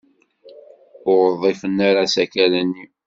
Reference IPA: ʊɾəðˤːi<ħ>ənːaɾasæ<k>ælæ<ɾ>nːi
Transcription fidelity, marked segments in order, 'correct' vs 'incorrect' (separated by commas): incorrect, correct, incorrect